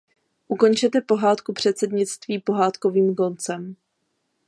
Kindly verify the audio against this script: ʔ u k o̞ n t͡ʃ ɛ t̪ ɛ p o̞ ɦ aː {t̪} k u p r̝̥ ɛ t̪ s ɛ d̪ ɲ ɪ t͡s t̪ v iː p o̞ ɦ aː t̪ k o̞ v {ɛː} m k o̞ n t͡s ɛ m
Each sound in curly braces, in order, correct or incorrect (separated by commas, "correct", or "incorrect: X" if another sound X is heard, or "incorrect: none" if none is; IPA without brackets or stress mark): correct, incorrect: iː